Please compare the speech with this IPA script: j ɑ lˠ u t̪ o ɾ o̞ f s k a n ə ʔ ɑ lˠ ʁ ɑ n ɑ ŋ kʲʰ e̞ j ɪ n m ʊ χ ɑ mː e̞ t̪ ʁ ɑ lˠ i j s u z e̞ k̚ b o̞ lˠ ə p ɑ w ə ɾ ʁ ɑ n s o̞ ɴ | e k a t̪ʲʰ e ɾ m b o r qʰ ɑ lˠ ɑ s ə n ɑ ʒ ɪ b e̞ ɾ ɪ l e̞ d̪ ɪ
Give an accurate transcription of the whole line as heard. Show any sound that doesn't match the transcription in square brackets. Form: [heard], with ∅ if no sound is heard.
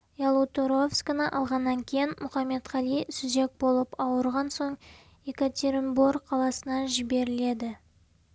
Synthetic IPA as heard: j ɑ lˠ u t̪ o ɾ o̞ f s k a n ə ʔ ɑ lˠ ʁ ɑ [nː] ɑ ŋ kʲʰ e̞ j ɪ n m ʊ χ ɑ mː e̞ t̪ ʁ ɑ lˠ i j s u z e̞ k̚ b o̞ lˠ ə p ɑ w ə ɾ ʁ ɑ n s o̞ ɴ | e k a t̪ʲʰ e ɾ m b o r qʰ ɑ lˠ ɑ s ə n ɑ ʒ ɪ b e̞ ɾ ɪ l e̞ d̪ ɪ